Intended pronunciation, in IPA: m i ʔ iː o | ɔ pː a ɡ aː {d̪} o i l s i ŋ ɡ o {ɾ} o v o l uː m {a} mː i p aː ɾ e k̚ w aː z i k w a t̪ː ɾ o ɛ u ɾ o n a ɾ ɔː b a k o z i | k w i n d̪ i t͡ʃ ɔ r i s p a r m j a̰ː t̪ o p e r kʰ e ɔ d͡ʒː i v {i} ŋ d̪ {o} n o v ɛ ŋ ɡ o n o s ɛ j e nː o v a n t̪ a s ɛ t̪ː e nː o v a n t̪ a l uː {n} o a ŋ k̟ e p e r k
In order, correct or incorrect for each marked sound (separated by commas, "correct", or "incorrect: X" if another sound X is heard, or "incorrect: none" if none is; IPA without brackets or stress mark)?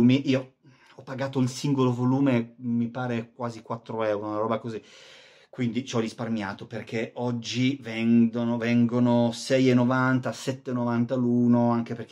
incorrect: t̪, incorrect: l, incorrect: e, incorrect: ɛ, correct, correct